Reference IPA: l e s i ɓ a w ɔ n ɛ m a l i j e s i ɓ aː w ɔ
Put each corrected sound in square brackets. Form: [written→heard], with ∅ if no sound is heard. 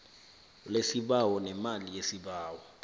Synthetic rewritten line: l e s i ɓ a w ɔ n ɛ m a l i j e s i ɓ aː w ɔ